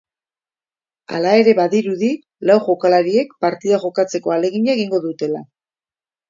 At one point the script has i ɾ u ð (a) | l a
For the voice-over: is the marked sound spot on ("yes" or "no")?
no